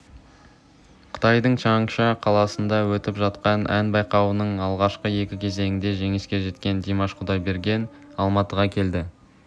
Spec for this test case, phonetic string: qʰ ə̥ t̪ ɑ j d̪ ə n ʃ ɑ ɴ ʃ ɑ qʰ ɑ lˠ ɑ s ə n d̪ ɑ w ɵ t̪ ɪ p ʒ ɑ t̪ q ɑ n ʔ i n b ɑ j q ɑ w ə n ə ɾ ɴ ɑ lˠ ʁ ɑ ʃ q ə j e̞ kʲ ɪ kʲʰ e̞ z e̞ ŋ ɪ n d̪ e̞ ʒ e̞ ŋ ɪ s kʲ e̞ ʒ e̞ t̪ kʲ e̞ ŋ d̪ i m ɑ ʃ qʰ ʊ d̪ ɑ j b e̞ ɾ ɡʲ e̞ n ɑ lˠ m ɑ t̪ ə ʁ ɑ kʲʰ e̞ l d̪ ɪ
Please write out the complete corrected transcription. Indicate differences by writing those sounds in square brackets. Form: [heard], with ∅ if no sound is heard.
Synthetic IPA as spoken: qʰ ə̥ t̪ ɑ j d̪ ə [ɴ] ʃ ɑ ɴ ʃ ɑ qʰ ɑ lˠ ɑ s ə n d̪ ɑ w ɵ t̪ ɪ p ʒ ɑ t̪ q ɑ n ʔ [æ] n b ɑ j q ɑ w ə n ə [∅] ɴ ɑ lˠ ʁ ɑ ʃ q ə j e̞ kʲ ɪ kʲʰ e̞ z e̞ ŋ ɪ n d̪ e̞ ʒ e̞ ŋ ɪ s kʲ e̞ ʒ e̞ t̪ kʲ e̞ [n] d̪ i m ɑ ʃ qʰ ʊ d̪ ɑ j b e̞ ɾ ɡʲ e̞ n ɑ lˠ m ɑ t̪ ə ʁ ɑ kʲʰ e̞ l d̪ ɪ